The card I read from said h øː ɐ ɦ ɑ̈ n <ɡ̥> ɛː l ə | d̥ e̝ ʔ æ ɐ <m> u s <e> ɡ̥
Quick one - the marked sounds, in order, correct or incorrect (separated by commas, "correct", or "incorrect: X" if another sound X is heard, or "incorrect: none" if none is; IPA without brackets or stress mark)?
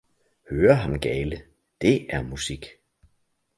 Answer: correct, correct, incorrect: i